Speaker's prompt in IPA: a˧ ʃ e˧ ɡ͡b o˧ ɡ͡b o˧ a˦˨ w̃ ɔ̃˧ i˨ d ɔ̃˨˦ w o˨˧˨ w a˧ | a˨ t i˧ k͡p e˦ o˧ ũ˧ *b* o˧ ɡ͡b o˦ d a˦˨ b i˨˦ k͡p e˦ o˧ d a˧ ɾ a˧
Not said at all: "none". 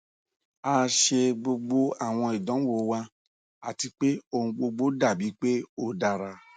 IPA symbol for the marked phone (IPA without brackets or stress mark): ɡ͡b